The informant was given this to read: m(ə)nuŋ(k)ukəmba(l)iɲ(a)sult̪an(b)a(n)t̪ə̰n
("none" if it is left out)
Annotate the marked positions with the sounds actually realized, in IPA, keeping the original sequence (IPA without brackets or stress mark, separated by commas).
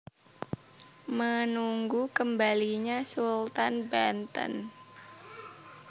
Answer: ə, ɡ, l, a, b, n